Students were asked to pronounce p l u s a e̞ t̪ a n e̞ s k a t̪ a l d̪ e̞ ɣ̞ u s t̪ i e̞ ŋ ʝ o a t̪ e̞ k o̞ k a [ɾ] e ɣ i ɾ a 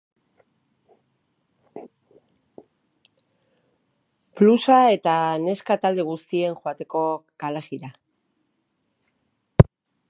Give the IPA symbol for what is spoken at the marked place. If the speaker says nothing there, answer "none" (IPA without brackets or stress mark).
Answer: l